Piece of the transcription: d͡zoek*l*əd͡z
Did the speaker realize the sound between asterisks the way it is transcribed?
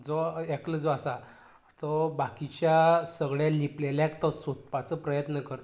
yes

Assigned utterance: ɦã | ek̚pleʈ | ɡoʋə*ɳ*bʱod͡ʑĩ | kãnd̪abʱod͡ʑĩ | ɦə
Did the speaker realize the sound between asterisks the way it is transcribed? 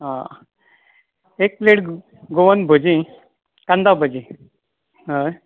no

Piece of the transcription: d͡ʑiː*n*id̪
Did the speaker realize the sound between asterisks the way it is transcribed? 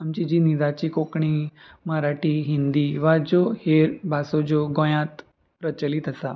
yes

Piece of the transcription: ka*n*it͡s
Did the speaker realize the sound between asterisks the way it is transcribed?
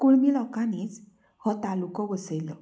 yes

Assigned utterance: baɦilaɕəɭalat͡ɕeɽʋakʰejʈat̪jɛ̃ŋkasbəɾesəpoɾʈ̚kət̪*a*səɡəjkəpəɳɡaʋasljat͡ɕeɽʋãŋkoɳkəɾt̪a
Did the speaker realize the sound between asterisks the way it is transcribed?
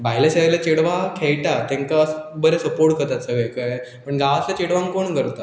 yes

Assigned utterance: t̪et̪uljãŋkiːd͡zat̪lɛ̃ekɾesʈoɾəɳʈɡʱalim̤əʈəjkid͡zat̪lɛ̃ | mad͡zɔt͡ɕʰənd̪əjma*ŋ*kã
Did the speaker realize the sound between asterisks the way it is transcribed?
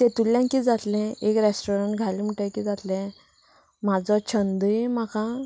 no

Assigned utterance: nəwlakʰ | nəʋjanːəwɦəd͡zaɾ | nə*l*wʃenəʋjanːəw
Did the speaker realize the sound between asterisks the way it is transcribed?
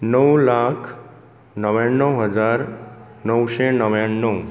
no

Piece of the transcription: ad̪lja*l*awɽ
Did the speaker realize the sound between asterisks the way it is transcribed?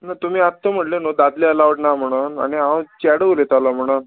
yes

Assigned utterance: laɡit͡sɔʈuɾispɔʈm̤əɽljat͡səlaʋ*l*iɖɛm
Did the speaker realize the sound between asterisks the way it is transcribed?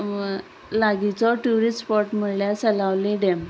yes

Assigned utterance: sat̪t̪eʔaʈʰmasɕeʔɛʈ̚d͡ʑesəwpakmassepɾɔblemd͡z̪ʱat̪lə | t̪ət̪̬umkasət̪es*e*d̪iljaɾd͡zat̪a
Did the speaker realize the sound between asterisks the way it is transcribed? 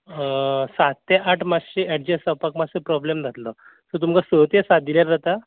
no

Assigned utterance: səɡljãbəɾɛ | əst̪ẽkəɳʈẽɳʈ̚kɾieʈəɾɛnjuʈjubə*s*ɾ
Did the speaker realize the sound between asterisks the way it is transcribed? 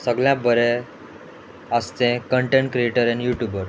no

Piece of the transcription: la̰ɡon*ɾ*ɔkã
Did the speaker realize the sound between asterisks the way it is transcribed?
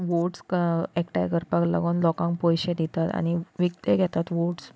no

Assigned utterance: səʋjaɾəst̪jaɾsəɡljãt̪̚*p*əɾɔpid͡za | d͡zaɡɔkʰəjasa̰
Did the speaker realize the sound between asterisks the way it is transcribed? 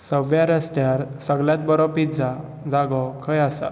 no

